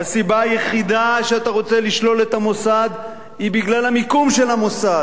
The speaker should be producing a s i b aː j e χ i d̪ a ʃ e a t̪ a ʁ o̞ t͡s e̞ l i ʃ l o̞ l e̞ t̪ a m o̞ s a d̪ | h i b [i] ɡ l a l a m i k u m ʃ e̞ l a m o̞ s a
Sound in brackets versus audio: correct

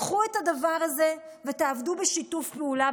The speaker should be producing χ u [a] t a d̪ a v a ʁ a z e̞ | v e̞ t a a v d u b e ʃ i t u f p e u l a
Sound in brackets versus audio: incorrect: e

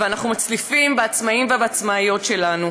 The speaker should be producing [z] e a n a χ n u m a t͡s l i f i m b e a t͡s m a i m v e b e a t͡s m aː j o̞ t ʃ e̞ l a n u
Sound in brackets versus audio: incorrect: v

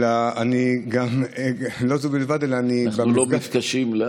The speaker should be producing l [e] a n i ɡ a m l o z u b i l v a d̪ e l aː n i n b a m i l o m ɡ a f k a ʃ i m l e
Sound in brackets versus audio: incorrect: a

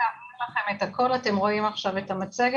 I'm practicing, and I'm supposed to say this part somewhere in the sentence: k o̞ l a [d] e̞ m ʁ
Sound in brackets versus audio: incorrect: t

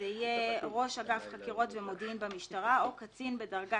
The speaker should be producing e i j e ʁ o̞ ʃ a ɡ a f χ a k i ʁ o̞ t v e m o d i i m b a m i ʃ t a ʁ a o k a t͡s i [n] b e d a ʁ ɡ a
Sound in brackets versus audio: correct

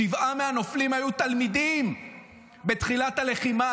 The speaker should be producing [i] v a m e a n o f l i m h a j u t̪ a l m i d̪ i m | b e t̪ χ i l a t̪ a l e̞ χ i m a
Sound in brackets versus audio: correct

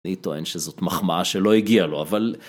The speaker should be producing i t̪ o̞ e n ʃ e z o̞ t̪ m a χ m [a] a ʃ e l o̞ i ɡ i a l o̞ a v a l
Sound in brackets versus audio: correct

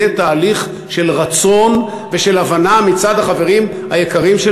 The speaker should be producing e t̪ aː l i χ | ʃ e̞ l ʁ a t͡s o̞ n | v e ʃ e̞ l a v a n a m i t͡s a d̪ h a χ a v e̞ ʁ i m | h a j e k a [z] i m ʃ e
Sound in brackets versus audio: incorrect: ʁ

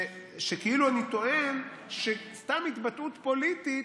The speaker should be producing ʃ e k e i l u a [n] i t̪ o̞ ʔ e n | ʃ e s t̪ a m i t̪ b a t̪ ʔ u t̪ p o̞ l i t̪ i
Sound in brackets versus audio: correct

